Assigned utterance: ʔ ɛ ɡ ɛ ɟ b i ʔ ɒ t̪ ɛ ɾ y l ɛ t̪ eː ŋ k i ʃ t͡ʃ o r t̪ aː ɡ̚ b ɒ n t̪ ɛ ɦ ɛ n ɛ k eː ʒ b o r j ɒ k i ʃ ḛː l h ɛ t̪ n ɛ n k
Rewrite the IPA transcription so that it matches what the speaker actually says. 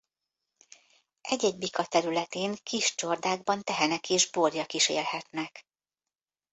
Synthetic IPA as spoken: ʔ ɛ ɟ ɛ ɟ b i k ɒ t̪ ɛ ɾ y l ɛ t̪ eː ŋ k i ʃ t͡ʃ o r d̪ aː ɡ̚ b ɒ n t̪ ɛ ɦ ɛ n ɛ k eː ʒ b o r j ɒ k i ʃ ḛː l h ɛ t̪ n ɛ k